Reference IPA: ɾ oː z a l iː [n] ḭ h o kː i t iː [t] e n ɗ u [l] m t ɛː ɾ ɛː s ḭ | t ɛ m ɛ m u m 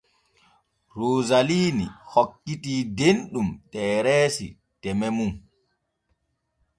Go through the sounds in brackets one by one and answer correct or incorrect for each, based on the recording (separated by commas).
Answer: correct, incorrect, incorrect